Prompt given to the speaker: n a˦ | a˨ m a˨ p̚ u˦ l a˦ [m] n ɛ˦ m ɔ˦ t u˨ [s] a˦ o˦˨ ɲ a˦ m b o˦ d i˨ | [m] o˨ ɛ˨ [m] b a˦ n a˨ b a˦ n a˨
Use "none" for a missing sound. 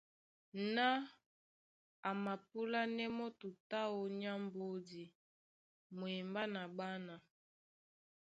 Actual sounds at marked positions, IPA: none, t, m, m

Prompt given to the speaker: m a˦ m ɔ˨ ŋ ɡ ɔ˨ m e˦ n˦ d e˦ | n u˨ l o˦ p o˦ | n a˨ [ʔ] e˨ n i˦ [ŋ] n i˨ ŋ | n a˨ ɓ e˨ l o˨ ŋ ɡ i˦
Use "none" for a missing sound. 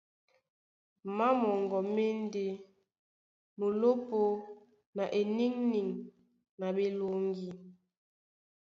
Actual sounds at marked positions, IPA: ʔ, ŋ

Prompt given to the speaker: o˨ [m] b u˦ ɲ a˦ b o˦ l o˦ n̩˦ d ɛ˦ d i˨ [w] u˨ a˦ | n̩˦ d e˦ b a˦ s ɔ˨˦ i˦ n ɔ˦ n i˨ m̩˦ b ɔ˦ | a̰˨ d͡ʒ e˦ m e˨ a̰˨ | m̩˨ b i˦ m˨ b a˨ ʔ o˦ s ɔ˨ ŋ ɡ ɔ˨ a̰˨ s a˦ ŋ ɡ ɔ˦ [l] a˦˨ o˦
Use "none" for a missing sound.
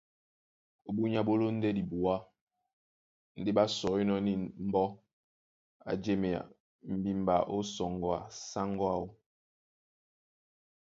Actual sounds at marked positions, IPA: none, b, none

